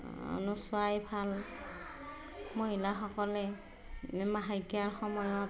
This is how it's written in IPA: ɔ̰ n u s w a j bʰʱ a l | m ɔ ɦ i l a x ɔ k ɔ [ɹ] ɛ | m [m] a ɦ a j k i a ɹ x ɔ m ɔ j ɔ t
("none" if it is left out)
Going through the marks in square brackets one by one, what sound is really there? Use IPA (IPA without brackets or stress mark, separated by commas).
l, m